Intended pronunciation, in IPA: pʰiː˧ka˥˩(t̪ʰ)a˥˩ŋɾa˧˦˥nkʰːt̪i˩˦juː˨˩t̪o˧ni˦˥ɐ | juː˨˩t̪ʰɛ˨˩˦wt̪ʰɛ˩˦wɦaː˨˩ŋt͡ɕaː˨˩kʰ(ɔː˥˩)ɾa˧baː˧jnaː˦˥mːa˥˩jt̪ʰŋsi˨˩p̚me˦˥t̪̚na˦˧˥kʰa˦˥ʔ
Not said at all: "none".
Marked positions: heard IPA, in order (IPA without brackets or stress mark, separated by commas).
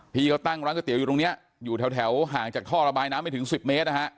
t̪, ɔː˥˩